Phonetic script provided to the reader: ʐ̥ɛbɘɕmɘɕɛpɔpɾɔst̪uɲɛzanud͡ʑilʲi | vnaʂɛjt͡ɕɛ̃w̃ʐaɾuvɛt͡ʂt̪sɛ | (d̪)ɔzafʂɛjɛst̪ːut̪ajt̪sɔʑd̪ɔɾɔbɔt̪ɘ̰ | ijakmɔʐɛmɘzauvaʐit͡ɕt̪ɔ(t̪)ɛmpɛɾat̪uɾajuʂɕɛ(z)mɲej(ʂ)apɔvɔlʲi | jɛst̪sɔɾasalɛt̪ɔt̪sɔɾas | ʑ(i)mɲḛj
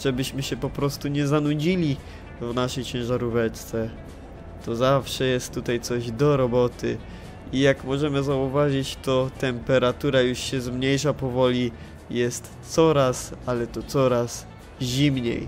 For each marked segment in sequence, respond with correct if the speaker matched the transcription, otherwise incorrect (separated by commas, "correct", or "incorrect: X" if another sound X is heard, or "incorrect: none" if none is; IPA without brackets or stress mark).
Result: incorrect: t̪, correct, correct, correct, correct